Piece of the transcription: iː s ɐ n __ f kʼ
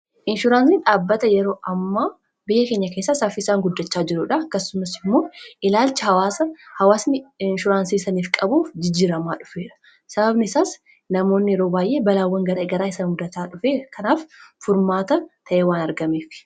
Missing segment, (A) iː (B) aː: A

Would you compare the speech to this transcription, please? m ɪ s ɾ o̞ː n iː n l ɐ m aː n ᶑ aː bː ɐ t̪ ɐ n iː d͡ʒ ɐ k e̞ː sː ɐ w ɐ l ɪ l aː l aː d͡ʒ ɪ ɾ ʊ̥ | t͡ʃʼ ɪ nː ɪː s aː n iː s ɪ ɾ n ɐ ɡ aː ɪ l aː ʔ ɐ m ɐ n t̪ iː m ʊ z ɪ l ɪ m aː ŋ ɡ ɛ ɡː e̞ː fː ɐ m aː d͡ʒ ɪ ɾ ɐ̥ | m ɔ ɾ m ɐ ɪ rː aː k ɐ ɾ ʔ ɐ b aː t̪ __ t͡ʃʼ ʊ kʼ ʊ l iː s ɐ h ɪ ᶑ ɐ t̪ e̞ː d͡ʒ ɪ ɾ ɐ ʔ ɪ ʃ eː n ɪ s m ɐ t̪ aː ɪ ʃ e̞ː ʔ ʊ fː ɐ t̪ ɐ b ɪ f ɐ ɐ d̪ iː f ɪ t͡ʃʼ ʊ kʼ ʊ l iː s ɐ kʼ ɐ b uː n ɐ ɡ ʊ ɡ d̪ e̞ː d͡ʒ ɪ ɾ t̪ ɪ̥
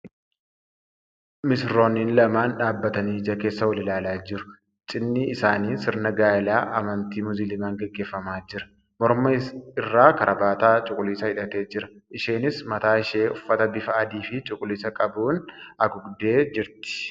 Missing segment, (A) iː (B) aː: B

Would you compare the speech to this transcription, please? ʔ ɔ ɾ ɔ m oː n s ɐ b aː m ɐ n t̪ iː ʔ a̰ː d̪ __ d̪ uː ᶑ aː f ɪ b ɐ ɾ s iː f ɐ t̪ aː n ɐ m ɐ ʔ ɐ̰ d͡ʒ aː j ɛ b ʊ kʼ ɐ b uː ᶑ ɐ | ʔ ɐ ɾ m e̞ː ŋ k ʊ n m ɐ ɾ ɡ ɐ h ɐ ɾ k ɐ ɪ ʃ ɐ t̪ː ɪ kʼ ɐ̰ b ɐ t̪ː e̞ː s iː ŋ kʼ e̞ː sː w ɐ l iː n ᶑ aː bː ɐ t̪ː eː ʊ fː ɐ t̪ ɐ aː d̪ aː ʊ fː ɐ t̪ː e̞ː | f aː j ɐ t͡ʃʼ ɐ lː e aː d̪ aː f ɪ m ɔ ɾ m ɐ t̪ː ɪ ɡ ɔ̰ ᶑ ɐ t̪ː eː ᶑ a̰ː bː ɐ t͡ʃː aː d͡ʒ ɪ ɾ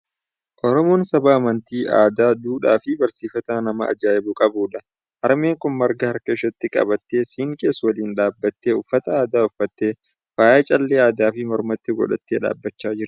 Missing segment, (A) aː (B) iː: A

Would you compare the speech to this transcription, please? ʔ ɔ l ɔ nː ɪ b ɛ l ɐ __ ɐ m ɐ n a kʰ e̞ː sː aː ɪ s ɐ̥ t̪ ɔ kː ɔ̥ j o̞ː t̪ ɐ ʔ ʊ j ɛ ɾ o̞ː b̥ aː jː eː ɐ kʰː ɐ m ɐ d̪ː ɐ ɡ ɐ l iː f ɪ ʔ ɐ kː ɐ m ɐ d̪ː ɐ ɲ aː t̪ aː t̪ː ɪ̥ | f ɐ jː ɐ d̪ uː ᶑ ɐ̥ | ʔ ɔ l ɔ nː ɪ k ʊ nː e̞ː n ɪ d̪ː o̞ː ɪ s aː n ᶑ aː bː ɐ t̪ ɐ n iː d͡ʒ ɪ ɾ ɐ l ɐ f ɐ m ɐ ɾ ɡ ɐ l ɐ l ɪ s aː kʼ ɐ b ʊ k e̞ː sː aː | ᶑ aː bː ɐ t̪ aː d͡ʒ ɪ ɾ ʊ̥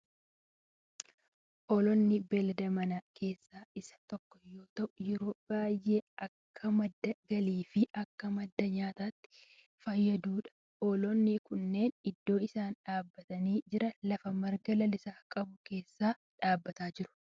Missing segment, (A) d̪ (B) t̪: A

